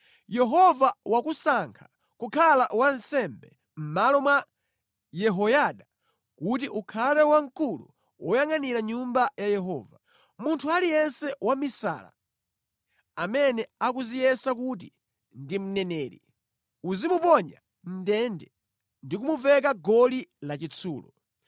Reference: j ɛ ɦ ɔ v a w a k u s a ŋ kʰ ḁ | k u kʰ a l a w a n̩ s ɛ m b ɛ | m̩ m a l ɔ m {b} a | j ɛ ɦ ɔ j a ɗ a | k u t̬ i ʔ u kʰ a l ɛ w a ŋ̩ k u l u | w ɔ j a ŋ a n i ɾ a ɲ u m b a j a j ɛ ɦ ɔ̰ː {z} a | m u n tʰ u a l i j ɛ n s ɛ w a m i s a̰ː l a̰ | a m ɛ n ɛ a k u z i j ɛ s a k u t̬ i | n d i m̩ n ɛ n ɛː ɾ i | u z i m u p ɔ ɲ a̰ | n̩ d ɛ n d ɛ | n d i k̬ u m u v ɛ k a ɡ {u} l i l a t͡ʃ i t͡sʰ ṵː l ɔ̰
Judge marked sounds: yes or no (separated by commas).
no, no, no